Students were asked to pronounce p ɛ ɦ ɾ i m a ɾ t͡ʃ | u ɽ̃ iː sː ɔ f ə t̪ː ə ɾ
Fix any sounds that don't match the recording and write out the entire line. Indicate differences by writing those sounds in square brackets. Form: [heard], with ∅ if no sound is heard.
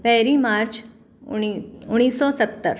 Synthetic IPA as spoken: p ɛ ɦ ɾ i m a ɾ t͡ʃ | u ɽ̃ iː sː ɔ [s] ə t̪ː ə ɾ